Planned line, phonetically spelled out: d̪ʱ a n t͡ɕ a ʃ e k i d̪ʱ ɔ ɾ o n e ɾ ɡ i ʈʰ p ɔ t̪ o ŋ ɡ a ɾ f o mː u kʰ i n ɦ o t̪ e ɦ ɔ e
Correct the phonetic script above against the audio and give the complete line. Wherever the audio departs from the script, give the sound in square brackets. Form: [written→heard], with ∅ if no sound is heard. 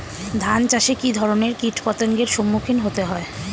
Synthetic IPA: d̪ʱ a n t͡ɕ a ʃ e k i d̪ʱ ɔ ɾ o n e ɾ [ɡ→k] i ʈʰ p ɔ t̪ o ŋ ɡ [a→e] ɾ [f→ʃ] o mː u kʰ i n ɦ o t̪ e ɦ ɔ e